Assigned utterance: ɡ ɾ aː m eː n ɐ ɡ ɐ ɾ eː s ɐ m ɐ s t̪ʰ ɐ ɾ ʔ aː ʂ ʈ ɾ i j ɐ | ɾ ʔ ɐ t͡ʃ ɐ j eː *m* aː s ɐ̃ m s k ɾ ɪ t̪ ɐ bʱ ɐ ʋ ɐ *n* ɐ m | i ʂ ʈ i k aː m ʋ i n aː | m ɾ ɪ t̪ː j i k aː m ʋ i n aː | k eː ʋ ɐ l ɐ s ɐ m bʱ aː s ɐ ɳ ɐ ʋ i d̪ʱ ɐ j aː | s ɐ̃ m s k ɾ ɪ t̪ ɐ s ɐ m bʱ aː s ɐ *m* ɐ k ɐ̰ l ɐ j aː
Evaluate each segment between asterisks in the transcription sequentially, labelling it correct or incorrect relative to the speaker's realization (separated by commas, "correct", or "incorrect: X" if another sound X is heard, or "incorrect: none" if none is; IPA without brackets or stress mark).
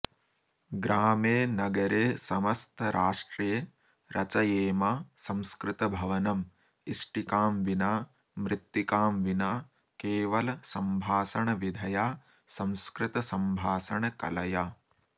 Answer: correct, correct, incorrect: ɳ